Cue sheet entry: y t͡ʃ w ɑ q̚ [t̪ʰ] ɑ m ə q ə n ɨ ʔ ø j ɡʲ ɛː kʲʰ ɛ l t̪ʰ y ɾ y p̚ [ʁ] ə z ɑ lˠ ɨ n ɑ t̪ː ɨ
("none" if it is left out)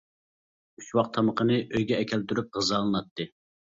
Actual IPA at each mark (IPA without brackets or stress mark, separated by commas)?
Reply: t̪ʰ, ʁ